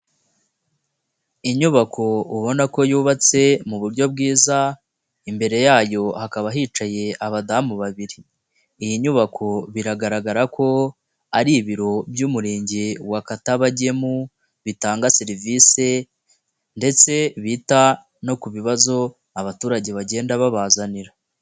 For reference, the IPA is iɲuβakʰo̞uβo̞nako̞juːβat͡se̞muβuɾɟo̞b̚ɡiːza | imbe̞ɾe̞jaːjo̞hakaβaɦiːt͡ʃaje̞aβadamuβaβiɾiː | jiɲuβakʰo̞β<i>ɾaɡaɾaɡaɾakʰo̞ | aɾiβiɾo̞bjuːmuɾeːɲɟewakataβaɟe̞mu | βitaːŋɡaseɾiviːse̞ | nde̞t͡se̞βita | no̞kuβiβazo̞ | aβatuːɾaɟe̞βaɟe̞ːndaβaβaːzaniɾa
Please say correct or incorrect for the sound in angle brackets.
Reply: correct